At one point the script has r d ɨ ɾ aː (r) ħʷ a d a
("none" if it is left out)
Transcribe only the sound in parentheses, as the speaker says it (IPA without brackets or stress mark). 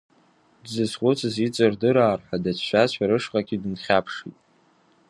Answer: r